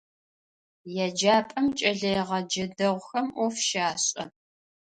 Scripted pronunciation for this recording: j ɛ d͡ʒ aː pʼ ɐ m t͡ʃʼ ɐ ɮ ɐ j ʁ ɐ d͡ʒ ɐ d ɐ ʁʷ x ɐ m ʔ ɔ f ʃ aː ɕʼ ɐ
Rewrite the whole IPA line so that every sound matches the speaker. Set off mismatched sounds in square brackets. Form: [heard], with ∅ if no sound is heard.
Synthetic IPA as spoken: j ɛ d͡ʒ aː pʼ ɐ m t͡ʃʼ ɐ ɮ ɐ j ʁ ɐ d͡ʒ ɐ d ɐ ʁʷ x ɐ m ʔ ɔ f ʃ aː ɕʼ ɐ